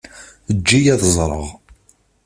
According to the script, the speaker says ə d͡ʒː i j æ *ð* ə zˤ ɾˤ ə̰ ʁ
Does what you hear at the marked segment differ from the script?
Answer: no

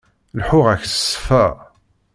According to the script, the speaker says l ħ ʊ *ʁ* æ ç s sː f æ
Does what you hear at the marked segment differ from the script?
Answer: no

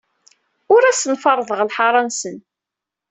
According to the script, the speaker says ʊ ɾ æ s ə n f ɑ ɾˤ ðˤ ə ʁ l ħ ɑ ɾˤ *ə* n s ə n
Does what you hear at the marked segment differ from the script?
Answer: yes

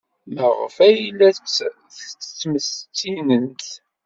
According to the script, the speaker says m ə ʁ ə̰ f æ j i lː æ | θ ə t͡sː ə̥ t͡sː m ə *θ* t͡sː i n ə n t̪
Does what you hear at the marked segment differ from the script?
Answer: yes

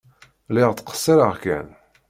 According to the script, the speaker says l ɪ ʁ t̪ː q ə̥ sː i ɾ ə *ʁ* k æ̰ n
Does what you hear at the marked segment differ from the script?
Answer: no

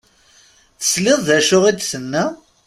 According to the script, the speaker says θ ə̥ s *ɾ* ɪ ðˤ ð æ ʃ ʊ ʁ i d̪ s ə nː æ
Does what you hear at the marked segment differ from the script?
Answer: yes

